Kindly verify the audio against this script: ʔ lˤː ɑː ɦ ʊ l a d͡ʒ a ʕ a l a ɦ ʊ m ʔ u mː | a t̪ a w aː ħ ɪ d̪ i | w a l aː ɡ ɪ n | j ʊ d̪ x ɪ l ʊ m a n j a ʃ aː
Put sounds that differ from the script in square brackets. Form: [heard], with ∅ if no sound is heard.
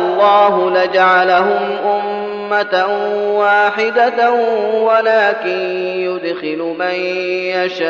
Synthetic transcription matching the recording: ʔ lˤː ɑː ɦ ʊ l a d͡ʒ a ʕ a l a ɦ ʊ m ʔ [ʊ] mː | a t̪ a w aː ħ ɪ d̪ [a] | w a l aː [k] ɪ n | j ʊ d̪ x ɪ l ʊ m a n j a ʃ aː